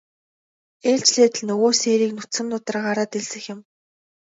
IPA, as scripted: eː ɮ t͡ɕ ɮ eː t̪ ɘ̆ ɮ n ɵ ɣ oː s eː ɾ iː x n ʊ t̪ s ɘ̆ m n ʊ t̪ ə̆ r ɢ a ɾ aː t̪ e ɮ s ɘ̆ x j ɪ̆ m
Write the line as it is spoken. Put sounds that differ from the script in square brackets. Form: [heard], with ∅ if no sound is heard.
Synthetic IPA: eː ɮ t͡ɕ ɮ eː t̪ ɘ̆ ɮ n ɵ ɣ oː s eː ɾ iː [k] n ʊ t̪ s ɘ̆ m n ʊ t̪ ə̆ r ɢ a ɾ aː t̪ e ɮ s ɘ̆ x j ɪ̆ m